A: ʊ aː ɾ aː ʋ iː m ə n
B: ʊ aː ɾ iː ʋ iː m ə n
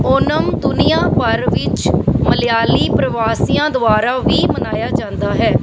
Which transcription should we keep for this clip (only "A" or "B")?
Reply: A